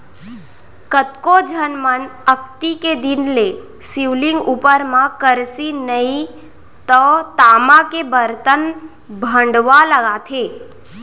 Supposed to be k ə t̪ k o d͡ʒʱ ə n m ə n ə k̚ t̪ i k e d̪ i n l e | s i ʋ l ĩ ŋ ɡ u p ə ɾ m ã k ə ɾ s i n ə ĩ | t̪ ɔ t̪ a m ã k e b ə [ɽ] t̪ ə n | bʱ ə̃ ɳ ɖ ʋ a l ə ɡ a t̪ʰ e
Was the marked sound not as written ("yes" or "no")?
yes